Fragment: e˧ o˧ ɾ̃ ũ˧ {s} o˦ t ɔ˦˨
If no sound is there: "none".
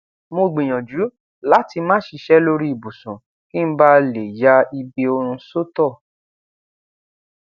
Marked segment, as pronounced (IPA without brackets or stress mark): s